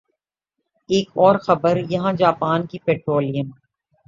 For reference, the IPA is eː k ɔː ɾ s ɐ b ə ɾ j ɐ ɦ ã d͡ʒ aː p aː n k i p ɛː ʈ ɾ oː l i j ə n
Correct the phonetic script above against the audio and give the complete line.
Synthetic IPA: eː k ɔː ɾ x ɐ b ə ɾ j ɐ ɦ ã d͡ʒ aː p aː n k i p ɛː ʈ ɾ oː l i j ə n